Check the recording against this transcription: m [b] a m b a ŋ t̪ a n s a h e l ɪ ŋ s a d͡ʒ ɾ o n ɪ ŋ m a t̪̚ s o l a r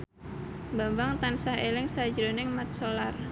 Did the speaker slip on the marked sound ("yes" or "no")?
no